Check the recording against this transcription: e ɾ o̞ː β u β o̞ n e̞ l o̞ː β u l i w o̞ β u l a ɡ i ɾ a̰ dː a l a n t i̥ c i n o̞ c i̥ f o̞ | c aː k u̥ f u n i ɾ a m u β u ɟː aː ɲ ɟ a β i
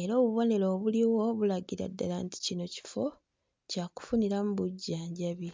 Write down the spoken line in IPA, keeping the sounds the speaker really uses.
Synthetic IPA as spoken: e ɾ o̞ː β u β o̞ n e̞ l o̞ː β u l i w o̞ β u l a ɡ i ɾ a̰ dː a l a n t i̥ c i n o̞ c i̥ f o̞ | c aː k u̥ f u n i ɾ a m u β u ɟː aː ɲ ɟ a β i